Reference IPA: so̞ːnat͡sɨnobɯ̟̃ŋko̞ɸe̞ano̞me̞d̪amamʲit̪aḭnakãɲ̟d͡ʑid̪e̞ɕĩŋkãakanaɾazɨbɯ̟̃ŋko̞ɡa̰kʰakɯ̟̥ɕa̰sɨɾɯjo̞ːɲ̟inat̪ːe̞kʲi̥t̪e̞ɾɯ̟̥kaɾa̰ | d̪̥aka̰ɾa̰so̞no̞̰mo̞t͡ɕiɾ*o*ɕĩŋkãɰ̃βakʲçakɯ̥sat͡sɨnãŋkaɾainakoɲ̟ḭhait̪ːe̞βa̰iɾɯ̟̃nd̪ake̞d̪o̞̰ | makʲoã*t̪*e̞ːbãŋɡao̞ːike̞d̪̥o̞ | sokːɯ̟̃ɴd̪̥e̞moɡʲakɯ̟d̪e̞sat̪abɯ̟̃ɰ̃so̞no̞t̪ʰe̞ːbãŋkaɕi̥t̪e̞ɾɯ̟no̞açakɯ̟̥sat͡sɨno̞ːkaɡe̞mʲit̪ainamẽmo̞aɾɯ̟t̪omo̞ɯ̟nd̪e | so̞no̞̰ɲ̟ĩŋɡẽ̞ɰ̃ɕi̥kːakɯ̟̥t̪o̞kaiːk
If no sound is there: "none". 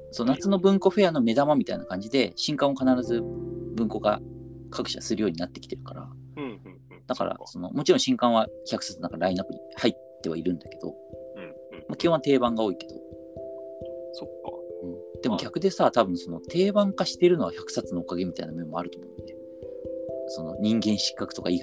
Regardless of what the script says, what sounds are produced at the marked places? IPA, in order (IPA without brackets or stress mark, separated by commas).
õ, t̪